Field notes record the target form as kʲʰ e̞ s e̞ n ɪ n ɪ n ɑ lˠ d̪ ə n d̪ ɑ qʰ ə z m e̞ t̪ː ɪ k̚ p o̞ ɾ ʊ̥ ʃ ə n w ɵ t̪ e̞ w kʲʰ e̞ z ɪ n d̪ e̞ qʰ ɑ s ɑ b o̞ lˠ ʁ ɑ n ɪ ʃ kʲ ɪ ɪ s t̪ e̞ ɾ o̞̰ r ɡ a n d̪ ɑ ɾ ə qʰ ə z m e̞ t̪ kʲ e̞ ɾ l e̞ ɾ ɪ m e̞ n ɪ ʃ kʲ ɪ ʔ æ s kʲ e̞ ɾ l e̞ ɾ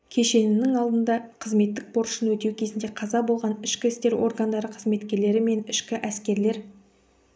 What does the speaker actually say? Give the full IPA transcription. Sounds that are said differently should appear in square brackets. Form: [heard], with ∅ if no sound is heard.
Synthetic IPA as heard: kʲʰ e̞ [ʃ] e̞ n ɪ n ɪ [ŋ] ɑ lˠ d̪ ə n d̪ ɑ qʰ ə z m e̞ t̪ː ɪ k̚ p o̞ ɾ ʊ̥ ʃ ə n w ɵ t̪ e̞ w kʲʰ e̞ z ɪ n d̪ e̞ qʰ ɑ [z] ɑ b o̞ lˠ ʁ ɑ n ɪ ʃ kʲ ɪ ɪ s t̪ e̞ ɾ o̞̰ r ɡ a n d̪ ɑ ɾ ə qʰ ə z m e̞ t̪ kʲ e̞ ɾ l e̞ ɾ ɪ m e̞ n ɪ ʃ kʲ ɪ ʔ æ s kʲ e̞ ɾ l e̞ ɾ